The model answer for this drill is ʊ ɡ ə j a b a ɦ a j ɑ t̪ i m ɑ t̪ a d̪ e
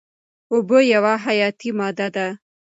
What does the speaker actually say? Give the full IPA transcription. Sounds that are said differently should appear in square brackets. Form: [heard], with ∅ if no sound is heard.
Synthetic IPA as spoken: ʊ [b] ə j a [w] a ɦ a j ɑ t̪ i m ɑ [d̪] a d̪ [a]